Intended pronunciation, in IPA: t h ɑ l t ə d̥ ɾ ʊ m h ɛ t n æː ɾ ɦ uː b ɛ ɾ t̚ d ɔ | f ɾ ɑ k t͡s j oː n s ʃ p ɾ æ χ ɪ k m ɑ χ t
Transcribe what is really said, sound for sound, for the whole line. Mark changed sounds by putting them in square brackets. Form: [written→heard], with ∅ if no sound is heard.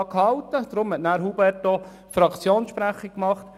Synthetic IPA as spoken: [t→k] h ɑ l t ə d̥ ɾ ʊ m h ɛ t n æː ɾ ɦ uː b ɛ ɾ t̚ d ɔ | f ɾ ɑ k t͡s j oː n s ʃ p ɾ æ χ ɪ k m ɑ χ t